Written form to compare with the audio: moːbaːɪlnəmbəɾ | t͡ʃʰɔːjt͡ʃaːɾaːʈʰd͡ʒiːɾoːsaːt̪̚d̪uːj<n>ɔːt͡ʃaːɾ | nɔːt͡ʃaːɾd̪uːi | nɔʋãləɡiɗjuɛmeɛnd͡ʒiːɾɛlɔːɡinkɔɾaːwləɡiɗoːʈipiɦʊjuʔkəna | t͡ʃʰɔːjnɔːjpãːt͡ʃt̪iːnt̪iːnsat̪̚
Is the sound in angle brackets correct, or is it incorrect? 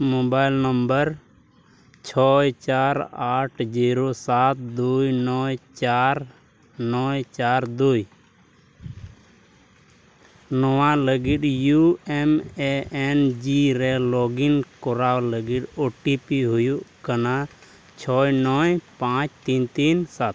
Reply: correct